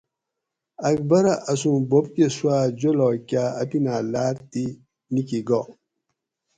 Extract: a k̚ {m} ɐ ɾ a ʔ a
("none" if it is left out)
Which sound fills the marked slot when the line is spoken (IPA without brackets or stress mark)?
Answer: b